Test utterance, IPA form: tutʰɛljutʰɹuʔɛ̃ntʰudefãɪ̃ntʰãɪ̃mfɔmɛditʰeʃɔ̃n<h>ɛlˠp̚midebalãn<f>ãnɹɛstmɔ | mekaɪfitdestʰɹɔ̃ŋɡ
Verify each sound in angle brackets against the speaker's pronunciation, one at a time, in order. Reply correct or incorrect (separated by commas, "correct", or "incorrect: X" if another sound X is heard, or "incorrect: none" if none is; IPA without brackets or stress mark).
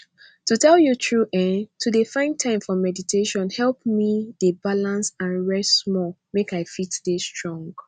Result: correct, incorrect: s